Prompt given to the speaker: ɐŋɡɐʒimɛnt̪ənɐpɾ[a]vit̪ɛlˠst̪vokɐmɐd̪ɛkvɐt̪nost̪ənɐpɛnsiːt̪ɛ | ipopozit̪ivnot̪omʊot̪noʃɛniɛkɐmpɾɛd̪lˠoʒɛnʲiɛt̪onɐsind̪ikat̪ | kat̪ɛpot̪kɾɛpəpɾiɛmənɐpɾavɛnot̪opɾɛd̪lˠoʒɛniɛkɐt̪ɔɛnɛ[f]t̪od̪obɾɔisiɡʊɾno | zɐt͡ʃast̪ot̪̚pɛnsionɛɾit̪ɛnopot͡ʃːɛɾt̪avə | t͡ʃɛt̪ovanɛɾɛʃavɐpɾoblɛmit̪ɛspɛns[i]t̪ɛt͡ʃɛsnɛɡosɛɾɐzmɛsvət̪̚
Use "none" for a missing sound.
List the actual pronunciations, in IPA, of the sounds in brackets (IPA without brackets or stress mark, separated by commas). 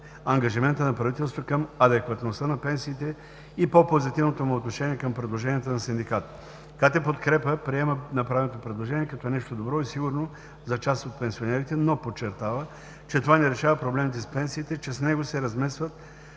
ɐ, ʃ, iː